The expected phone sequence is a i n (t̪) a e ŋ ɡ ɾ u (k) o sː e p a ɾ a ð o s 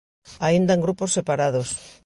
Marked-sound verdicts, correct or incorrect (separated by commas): incorrect, incorrect